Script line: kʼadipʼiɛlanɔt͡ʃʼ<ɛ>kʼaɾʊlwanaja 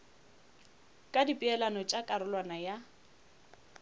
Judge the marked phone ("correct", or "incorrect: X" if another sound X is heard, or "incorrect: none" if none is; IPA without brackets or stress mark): incorrect: a